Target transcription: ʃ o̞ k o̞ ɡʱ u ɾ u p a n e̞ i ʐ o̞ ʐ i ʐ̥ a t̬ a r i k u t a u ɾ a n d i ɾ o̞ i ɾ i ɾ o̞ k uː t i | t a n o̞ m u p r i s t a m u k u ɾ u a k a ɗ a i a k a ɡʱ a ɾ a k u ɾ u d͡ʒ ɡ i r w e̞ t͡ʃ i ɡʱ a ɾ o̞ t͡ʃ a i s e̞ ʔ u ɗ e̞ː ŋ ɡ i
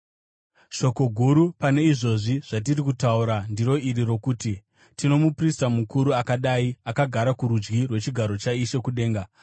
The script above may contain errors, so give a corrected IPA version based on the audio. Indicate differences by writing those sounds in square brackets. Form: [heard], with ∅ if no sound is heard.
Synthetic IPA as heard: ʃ o̞ k o̞ ɡʱ u ɾ u p a n e̞ i ʐ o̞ ʐ i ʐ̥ a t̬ [i] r i k u t a u ɾ a n d i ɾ o̞ i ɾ i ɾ o̞ k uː t i | t [i] n o̞ m u p r i s t a m u k u ɾ u a k a ɗ a i a k a ɡʱ a ɾ a k u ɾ u d͡ʒ ɡ i r w e̞ t͡ʃ i ɡʱ a ɾ o̞ t͡ʃ a i [ʃ] e̞ [k] u ɗ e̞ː ŋ ɡ [a]